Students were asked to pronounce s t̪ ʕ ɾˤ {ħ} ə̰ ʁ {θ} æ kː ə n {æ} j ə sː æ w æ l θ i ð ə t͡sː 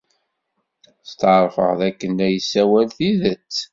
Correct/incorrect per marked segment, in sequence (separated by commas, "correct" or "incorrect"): incorrect, incorrect, correct